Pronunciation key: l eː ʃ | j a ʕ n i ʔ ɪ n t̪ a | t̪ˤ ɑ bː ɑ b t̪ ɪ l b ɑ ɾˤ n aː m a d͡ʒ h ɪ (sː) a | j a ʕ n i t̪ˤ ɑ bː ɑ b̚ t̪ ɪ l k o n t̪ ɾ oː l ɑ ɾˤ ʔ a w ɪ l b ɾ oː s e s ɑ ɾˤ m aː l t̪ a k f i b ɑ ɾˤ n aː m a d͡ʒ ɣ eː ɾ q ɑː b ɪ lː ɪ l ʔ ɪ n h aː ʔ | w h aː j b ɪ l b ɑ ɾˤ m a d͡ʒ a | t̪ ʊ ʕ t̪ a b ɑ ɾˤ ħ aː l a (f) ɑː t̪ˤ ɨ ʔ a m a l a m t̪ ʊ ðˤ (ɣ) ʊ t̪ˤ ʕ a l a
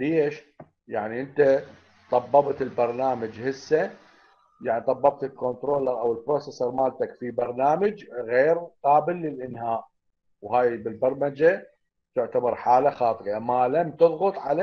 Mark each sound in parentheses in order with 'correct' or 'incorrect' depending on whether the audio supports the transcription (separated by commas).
correct, incorrect, correct